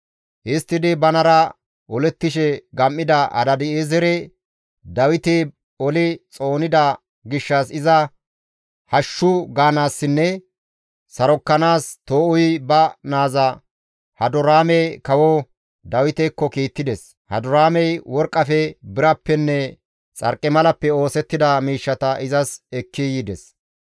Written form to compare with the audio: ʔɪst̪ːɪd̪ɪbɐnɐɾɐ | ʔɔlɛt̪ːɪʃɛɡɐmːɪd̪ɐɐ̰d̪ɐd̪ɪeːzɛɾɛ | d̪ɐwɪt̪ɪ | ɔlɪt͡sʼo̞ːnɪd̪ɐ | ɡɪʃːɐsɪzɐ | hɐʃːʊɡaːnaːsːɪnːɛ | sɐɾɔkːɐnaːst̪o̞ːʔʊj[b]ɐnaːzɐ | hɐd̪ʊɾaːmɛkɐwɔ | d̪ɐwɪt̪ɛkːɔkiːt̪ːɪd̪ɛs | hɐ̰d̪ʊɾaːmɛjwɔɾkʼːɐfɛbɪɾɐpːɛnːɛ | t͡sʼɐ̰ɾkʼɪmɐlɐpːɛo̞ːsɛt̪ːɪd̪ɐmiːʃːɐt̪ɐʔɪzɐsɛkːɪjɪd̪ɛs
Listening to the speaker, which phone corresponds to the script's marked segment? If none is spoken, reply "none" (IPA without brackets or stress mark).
b